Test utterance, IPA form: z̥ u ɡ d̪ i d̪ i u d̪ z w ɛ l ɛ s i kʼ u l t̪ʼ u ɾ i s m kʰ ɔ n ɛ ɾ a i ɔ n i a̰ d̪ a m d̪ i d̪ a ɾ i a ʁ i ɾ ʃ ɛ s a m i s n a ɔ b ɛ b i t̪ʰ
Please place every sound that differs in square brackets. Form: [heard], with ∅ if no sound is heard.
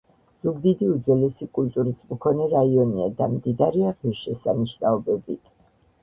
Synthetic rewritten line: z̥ u ɡ d̪ i d̪ i u d̪ z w ɛ l ɛ s i kʼ u l t̪ʼ u ɾ i s m kʰ ɔ n ɛ ɾ a i ɔ n i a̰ d̪ a m d̪ i d̪ a ɾ i a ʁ i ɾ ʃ ɛ s a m i [ʃ] n a ɔ b ɛ b i t̪ʰ